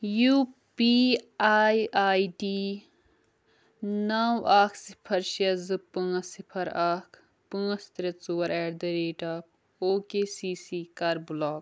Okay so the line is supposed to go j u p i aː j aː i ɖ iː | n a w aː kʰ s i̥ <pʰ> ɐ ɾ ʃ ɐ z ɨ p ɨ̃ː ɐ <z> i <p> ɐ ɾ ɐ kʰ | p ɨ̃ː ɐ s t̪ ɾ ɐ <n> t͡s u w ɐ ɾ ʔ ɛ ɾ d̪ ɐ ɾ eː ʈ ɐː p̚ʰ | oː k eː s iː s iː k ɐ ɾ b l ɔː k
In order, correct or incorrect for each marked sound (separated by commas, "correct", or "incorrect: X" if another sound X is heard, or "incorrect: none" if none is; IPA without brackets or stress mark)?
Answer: correct, incorrect: s, incorrect: pʰ, incorrect: none